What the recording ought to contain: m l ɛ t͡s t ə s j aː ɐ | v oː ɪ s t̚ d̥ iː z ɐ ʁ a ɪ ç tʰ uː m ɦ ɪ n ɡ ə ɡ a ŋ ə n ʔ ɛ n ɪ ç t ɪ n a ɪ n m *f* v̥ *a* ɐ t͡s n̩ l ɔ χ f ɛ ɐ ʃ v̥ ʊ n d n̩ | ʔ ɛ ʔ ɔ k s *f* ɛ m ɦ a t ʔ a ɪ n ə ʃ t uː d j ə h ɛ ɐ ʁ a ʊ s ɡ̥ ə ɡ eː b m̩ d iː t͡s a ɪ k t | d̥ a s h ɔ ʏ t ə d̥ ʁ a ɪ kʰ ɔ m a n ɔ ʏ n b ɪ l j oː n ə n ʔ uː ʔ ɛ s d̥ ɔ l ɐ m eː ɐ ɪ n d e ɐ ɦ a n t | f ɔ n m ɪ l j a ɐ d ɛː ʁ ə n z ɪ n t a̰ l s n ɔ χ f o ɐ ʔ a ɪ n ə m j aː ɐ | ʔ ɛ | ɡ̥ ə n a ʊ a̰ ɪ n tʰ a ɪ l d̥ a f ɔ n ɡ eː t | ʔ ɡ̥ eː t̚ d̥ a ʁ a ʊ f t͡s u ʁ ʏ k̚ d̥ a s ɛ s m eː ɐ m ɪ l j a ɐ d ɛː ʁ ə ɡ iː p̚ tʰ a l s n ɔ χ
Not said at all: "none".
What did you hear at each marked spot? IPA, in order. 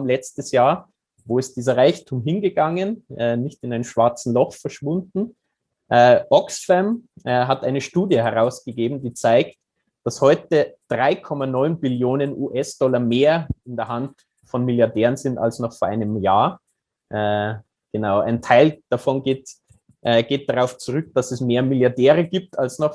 ʃ, a, f

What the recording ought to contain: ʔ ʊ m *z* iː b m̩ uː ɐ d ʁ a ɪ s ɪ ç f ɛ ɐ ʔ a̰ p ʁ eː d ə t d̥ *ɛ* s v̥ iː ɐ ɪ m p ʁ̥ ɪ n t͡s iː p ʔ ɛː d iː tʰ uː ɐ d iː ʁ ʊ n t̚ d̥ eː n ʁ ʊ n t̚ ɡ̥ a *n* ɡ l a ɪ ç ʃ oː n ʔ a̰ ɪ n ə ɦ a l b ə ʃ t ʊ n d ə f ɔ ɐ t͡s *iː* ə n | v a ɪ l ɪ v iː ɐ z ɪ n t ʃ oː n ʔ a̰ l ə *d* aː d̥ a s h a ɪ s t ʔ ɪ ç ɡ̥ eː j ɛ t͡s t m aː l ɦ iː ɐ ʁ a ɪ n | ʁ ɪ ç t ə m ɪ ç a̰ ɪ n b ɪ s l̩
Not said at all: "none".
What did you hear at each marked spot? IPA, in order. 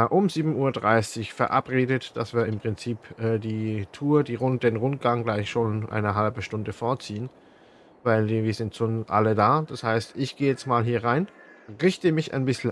z, a, ŋ, iː, d

